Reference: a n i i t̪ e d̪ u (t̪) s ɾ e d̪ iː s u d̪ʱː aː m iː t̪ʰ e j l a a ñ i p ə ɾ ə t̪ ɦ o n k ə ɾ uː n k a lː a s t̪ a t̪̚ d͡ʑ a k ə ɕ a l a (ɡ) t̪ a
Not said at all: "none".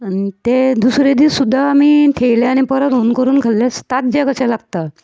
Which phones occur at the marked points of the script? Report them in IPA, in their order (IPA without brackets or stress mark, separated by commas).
none, ɡ